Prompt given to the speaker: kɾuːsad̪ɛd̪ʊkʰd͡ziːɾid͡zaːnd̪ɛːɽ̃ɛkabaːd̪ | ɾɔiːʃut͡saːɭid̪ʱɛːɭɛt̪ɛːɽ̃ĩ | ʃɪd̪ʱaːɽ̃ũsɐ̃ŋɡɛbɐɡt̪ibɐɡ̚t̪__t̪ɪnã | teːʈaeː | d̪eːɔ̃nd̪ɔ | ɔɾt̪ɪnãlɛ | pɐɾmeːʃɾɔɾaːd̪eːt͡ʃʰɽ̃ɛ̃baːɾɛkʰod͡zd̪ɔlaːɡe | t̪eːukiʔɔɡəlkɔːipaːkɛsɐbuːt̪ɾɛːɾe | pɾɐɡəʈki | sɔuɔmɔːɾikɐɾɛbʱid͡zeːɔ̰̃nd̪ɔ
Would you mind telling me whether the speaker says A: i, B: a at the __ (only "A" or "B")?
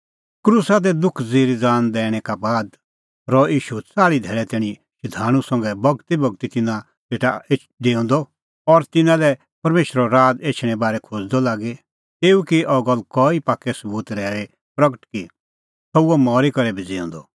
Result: A